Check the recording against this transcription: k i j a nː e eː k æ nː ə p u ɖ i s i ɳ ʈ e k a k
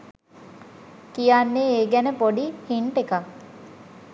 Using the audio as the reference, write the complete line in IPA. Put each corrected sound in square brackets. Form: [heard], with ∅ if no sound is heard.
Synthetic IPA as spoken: k i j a nː e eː [ɡ] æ [n] ə p [o] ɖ i [h] i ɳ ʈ e k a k